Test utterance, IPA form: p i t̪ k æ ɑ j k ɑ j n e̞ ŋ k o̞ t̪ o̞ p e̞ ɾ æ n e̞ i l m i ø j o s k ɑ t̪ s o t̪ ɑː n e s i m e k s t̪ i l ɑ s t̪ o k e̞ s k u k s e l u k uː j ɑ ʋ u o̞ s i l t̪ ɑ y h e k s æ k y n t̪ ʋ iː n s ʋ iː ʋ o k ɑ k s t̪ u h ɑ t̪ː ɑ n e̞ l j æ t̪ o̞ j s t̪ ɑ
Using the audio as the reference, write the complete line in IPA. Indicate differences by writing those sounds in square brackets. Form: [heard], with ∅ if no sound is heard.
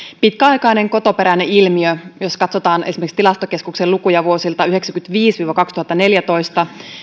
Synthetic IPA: p i t̪ k æ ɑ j k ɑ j n e̞ ŋ k o̞ t̪ o̞ p e̞ ɾ æ n e̞ i l m i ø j o s k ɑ t̪ s o t̪ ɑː n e s i m e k s t̪ i l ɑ s t̪ o k e̞ s k u k s e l u k [u] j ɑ ʋ u o̞ s i l t̪ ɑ y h e k s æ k y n t̪ ʋ iː [∅] s ʋ iː ʋ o k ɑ k s t̪ u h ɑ t̪ː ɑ n e̞ l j æ t̪ o̞ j s t̪ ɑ